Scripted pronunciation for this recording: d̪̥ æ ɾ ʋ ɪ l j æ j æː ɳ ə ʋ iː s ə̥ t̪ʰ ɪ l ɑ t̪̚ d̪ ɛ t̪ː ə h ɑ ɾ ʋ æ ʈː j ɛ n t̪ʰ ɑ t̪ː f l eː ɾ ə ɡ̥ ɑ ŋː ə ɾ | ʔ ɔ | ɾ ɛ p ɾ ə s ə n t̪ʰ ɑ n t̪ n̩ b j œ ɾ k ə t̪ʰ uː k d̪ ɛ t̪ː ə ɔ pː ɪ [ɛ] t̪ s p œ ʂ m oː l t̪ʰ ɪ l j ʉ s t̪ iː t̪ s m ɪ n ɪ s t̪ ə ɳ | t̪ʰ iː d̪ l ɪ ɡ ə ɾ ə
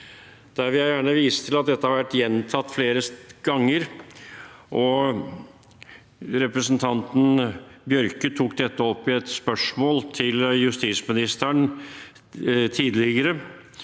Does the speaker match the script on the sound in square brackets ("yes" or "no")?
yes